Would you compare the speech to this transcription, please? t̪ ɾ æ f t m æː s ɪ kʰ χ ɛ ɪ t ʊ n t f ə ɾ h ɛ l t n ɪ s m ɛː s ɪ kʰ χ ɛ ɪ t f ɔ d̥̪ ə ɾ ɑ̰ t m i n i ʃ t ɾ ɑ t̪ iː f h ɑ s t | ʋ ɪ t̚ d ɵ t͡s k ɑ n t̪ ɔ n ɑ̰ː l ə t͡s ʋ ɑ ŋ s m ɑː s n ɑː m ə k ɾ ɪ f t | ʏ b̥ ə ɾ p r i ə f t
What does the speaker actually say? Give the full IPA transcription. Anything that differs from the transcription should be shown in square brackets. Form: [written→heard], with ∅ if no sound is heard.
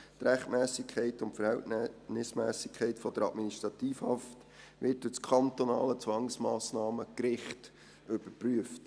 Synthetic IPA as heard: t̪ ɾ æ [f→χ] t m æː s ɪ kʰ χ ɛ ɪ t ʊ n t f ə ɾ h ɛ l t n ɪ s m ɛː s ɪ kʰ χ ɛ ɪ t f ɔ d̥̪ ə ɾ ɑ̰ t m i n i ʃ t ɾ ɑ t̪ iː f h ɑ [s→f] t | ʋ ɪ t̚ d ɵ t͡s [k→kʰ] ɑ n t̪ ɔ n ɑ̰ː l ə t͡s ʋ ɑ ŋ s m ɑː s n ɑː m ə k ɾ ɪ [f→χ] t | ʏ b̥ ə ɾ p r [i→y] ə f t